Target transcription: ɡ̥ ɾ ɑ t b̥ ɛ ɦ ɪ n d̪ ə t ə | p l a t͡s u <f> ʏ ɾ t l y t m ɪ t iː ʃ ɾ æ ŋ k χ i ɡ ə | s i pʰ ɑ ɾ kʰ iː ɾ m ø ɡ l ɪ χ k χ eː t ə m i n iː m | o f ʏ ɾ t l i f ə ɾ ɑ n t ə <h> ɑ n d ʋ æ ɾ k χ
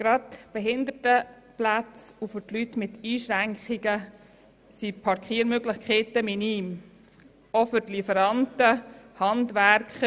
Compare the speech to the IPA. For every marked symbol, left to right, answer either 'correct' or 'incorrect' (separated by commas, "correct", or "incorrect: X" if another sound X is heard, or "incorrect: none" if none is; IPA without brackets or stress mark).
correct, correct